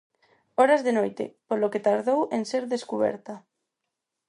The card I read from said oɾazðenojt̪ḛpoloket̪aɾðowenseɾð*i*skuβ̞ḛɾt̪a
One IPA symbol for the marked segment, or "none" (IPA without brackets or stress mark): e